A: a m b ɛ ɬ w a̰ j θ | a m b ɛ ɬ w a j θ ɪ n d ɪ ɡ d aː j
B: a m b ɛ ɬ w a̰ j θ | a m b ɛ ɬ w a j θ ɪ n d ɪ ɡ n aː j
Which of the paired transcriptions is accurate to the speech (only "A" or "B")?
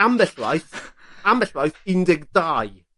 A